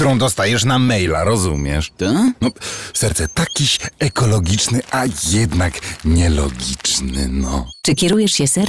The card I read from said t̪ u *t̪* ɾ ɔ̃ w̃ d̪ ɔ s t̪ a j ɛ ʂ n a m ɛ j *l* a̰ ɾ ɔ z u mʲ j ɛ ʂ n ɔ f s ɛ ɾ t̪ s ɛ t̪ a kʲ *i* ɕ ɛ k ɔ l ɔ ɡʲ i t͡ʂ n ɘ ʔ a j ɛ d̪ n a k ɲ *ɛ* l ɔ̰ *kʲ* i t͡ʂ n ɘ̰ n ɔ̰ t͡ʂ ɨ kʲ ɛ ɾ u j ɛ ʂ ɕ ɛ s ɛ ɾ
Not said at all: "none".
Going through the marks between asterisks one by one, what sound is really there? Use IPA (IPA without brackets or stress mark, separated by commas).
none, l, i, ɛ, ɡʲ